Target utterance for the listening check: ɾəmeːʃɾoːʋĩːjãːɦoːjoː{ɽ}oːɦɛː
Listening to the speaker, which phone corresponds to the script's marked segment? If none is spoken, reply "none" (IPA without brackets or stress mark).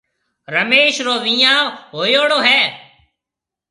ɽ